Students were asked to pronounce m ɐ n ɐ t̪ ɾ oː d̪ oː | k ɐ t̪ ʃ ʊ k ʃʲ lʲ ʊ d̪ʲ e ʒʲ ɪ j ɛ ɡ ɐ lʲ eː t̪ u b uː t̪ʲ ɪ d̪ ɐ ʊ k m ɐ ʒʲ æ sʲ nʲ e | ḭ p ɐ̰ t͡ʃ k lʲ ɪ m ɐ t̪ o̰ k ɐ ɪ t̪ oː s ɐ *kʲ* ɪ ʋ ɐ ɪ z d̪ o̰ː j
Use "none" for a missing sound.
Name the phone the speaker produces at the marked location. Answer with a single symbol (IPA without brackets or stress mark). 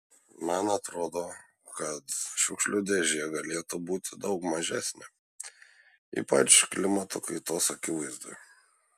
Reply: kʲ